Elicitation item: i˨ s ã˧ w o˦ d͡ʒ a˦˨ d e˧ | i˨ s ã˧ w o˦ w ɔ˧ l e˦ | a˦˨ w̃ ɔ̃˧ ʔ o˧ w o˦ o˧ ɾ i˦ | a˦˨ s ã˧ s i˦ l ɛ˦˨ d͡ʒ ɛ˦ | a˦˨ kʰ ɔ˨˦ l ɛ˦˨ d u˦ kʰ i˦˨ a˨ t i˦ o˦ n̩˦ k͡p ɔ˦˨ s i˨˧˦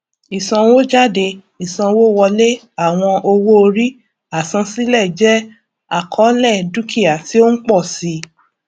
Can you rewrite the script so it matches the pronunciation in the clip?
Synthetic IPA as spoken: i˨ s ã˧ w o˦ d͡ʒ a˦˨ d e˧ | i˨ s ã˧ w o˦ w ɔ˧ l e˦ | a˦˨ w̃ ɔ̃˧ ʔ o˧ w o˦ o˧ ɾ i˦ | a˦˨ s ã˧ s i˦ l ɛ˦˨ d͡ʒ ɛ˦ | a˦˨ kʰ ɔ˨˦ l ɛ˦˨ d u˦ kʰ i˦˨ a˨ t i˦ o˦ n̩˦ k͡p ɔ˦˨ s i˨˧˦